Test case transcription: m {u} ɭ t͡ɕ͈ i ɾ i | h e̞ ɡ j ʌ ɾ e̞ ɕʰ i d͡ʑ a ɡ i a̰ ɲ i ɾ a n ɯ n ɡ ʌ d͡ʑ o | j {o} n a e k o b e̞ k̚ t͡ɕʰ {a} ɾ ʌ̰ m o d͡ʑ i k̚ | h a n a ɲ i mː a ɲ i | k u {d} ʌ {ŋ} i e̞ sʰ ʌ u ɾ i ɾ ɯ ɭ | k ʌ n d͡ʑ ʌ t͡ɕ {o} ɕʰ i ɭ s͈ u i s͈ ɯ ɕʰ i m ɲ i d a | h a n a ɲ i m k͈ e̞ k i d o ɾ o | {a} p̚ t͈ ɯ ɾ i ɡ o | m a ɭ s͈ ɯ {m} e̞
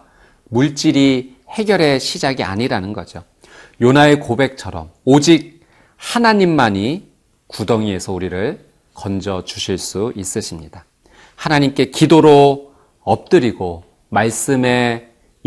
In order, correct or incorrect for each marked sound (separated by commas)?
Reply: correct, correct, incorrect, correct, correct, incorrect, incorrect, correct